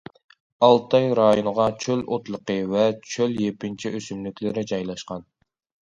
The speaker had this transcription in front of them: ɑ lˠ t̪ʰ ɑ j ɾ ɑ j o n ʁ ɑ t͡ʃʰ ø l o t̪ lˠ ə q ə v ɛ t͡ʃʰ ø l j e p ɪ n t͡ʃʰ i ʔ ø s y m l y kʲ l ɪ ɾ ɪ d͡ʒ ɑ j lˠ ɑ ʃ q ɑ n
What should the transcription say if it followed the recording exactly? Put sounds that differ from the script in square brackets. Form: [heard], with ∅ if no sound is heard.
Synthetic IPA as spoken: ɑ lˠ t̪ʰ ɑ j ɾ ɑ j o n ʁ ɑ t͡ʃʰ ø l o t̪ lˠ ə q ə v ɛ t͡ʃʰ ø l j e p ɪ n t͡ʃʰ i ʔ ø s y m l y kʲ l ɪ ɾ ɪ d͡ʒ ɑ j lˠ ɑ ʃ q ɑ n